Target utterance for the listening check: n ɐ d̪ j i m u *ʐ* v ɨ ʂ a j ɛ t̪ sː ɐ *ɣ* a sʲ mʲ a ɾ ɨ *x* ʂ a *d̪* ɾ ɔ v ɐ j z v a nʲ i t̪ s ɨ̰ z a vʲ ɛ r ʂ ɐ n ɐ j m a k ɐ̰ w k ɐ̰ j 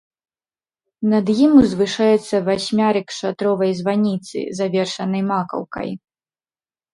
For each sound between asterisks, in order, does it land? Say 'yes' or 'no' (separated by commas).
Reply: no, no, no, no